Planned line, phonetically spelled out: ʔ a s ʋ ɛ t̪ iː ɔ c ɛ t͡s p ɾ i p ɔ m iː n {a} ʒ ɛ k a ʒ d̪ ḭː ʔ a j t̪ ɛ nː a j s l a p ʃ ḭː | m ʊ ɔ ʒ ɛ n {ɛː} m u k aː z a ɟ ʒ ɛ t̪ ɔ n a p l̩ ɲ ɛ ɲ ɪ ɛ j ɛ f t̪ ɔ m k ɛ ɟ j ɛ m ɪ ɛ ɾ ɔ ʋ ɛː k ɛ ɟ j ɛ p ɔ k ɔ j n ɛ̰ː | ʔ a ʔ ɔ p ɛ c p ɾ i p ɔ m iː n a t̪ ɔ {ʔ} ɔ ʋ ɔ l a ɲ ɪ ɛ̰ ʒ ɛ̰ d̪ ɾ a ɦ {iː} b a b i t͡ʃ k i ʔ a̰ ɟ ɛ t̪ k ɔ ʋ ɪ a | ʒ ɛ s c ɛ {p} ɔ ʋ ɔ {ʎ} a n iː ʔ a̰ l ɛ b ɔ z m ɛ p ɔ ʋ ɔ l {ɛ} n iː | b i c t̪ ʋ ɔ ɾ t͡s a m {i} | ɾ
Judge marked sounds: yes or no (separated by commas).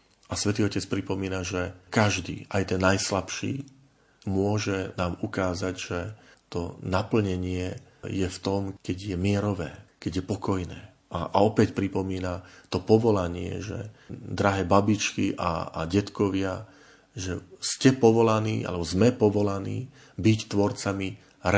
yes, no, no, no, yes, no, no, yes